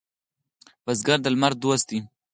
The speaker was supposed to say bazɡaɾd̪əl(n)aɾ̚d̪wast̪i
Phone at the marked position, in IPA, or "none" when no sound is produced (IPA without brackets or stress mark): m